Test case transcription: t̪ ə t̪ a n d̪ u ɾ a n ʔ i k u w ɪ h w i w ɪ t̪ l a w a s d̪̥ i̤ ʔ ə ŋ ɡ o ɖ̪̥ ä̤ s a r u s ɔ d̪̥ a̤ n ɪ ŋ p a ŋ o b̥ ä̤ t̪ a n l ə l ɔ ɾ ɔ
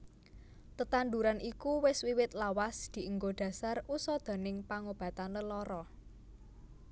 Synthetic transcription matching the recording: t̪ ə t̪ a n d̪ u ɾ a n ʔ i k u w ɪ s w i w ɪ t̪ l a w a s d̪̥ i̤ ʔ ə ŋ ɡ o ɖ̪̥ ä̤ s a r u s ɔ d̪̥ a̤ n ɪ ŋ p a ŋ o b̥ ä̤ t̪ a n l ə l ɔ ɾ ɔ